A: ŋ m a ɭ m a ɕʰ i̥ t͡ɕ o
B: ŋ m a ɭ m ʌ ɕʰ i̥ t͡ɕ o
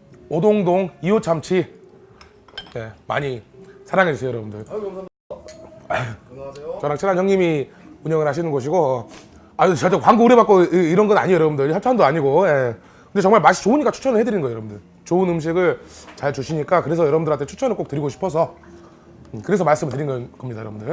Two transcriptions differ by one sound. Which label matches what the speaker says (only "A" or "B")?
A